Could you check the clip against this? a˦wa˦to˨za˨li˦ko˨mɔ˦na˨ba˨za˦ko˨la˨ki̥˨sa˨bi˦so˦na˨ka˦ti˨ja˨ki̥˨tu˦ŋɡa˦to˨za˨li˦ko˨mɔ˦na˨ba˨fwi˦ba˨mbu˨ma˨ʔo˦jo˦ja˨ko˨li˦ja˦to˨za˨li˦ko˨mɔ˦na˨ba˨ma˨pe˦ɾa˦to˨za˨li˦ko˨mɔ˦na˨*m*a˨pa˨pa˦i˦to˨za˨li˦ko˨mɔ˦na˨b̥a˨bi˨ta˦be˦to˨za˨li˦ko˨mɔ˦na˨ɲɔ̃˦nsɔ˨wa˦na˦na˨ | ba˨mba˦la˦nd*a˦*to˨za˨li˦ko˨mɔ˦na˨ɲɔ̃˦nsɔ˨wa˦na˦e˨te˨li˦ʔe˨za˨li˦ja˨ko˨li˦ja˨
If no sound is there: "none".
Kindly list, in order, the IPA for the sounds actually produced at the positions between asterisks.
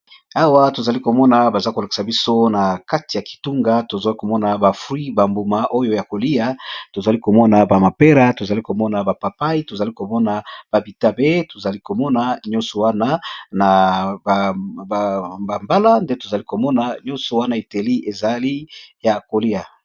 b, e˦

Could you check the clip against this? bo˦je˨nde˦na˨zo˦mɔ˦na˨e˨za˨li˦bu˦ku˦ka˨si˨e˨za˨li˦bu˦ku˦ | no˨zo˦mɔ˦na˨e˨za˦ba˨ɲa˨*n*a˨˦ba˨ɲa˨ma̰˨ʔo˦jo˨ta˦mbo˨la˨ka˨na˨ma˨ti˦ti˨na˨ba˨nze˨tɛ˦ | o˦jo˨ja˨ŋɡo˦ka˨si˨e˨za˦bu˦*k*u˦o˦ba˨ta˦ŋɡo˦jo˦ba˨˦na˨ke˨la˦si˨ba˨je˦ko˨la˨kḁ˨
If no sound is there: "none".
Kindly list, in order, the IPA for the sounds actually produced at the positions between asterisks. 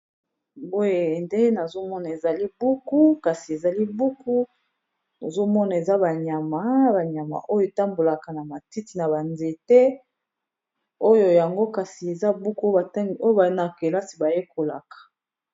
m, k

